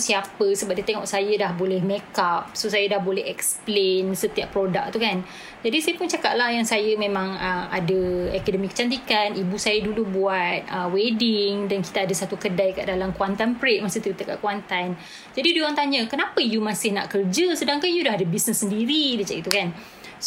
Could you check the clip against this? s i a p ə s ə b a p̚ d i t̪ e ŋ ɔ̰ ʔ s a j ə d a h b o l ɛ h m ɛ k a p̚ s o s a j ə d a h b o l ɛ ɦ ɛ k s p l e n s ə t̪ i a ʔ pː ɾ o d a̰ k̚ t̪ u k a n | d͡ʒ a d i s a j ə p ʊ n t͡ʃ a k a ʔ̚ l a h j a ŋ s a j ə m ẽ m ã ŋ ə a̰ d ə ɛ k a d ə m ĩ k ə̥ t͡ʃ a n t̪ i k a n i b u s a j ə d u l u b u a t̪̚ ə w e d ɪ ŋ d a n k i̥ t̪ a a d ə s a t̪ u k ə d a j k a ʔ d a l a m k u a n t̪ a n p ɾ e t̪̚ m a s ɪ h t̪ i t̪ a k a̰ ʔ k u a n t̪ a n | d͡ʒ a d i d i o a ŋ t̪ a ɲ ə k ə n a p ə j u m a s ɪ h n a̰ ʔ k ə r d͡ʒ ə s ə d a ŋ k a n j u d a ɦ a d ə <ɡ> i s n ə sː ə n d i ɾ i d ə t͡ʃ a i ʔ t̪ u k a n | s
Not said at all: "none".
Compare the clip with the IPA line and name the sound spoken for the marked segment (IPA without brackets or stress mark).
b